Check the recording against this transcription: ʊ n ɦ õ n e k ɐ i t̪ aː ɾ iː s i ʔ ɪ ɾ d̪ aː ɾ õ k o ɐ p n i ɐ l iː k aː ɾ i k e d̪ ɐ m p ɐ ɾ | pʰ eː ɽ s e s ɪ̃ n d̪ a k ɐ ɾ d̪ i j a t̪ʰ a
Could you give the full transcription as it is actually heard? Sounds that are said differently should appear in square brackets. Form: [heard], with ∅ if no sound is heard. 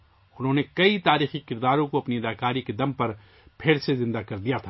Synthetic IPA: ʊ n ɦ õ n e k ɐ i t̪ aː ɾ iː [x] i [k] ɪ ɾ d̪ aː ɾ õ k o ɐ p n i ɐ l [aː] k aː ɾ i k e d̪ ɐ m p ɐ ɾ | pʰ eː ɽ s e [z] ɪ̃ n d̪ a k ɐ ɾ d̪ i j a t̪ʰ a